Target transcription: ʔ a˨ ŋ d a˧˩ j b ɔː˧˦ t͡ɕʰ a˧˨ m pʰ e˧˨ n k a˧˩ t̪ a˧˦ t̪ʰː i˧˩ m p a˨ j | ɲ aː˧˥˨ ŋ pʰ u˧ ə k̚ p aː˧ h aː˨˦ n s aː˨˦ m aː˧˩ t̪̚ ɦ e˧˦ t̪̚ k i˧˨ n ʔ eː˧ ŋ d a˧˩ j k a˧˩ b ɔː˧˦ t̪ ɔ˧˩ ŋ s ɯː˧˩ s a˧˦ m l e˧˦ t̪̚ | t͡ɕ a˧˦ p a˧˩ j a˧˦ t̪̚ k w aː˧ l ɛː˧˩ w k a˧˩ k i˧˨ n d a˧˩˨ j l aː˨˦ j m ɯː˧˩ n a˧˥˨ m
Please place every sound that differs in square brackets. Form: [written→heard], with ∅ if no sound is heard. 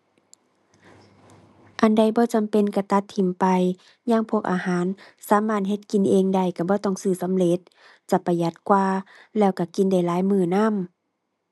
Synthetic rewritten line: ʔ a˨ [ŋ→n] d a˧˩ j b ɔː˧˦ [t͡ɕʰ→t͡ɕ] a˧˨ m [pʰ→p] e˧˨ n k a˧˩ t̪ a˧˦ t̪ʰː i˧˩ m p a˨ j | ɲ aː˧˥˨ ŋ pʰ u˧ ə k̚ [p→ʔ] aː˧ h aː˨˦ n s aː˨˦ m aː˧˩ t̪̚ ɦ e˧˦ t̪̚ k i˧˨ n ʔ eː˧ ŋ d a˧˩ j k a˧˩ b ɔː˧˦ t̪ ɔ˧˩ ŋ s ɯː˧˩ s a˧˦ m l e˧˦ t̪̚ | t͡ɕ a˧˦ p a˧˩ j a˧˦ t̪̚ k w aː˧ l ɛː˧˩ w k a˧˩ k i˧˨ n d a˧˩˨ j l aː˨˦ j m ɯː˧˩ n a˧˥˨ m